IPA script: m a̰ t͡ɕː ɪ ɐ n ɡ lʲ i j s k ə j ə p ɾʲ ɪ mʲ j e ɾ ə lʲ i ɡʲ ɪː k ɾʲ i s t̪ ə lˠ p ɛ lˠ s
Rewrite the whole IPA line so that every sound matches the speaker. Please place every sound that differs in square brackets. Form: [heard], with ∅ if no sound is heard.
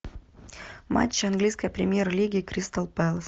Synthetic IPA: m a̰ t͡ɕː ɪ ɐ n ɡ lʲ i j s k ə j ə p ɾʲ ɪ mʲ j e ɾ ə lʲ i ɡʲ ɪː k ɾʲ i s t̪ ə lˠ p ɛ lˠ s